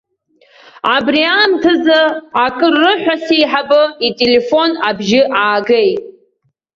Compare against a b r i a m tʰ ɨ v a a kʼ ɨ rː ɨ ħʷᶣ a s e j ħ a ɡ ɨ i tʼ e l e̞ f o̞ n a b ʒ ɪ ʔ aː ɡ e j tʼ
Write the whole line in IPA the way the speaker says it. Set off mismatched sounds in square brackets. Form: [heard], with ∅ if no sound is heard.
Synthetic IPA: a b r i a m tʰ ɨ [z] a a kʼ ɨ rː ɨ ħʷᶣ a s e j ħ a [b] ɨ i tʼ e l e̞ f o̞ n a b ʒ ɪ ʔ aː ɡ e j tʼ